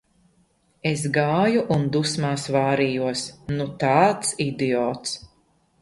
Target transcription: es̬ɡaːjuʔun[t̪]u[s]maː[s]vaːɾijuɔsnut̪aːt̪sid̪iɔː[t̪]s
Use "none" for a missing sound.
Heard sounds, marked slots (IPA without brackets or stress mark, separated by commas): d̪, s, s, t̪